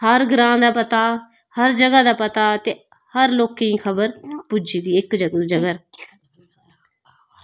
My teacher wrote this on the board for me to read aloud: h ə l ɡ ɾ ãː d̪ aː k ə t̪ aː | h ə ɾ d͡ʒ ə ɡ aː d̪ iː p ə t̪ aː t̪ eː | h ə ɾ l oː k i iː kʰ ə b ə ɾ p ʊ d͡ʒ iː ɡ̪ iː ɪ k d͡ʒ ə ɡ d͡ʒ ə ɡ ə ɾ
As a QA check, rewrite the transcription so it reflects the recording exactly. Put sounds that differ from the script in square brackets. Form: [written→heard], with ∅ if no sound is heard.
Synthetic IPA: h ə [l→ɾ] ɡ ɾ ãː d̪ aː [k→p] ə t̪ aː | h ə ɾ d͡ʒ ə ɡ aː d̪ [iː→aː] p ə t̪ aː t̪ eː | h ə ɾ l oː k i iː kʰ ə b ə ɾ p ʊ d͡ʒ iː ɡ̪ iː ɪ k d͡ʒ ə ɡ d͡ʒ ə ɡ ə ɾ